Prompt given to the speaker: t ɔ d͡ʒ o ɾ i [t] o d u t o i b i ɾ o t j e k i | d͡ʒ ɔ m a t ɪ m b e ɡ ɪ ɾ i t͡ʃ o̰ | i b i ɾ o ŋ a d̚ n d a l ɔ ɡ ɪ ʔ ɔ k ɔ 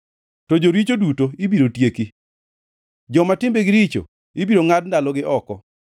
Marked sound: incorrect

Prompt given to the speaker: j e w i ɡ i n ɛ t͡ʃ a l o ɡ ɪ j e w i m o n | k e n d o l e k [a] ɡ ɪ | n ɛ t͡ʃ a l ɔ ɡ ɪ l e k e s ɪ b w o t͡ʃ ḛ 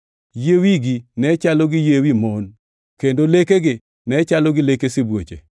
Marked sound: incorrect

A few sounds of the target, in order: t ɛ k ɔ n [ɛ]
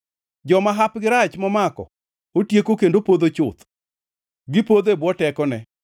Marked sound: correct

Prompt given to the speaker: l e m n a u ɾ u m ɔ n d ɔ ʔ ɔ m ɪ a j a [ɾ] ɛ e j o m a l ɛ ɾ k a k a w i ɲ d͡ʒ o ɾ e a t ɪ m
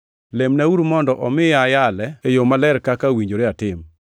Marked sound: incorrect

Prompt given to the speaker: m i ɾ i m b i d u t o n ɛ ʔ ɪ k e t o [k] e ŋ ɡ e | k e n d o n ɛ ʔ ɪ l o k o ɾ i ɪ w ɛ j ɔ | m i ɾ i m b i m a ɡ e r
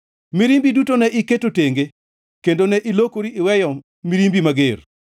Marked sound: incorrect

